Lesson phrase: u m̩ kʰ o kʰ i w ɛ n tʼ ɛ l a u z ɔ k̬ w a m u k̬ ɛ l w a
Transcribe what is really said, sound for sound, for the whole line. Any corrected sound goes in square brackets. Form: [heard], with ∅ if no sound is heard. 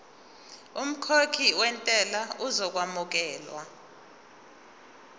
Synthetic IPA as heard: u m̩ kʰ o kʰ i w ɛ n tʼ ɛ l a u z ɔ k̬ w a m u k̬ [ɛː] l w a